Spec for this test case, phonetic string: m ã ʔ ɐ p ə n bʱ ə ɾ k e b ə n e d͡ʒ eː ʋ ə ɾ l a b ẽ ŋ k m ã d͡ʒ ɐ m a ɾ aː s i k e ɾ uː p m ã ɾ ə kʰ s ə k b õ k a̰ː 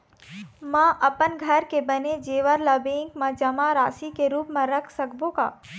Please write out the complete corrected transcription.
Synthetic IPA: m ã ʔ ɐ p ə n ɡʱ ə ɾ k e b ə n e d͡ʒ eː ʋ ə ɾ l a b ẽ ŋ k m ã d͡ʒ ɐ m a ɾ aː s i k e ɾ uː p m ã ɾ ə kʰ s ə k b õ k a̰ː